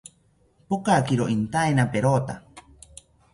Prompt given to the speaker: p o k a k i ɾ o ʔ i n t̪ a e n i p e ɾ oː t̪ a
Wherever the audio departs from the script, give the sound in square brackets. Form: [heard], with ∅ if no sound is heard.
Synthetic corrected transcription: p o k a k i ɾ o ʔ i n t̪ a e n [a] p e ɾ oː t̪ a